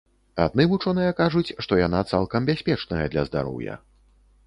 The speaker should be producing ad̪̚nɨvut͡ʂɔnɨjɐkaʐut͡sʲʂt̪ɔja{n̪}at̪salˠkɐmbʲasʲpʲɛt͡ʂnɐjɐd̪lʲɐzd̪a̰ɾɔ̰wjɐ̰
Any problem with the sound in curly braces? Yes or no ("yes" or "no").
no